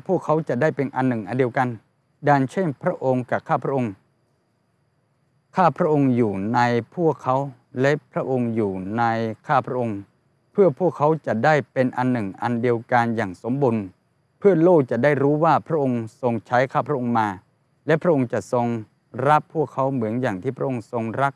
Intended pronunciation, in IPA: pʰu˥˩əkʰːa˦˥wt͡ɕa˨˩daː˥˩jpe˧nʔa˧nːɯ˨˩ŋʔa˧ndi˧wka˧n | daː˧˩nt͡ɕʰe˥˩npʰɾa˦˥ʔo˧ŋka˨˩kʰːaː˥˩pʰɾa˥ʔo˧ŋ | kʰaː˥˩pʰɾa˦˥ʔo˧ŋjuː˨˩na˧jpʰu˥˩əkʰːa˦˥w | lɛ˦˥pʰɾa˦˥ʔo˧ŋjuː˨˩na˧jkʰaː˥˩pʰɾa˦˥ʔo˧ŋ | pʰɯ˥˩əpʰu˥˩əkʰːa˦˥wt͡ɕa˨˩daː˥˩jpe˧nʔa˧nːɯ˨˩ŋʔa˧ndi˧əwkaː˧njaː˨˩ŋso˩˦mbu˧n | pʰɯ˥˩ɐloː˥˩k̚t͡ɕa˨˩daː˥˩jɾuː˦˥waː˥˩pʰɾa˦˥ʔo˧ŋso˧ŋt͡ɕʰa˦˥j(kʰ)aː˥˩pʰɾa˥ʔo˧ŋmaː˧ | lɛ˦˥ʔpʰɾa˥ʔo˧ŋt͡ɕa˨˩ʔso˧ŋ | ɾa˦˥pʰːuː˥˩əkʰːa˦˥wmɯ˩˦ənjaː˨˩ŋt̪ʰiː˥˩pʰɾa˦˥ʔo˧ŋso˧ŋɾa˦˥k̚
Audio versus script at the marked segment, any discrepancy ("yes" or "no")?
no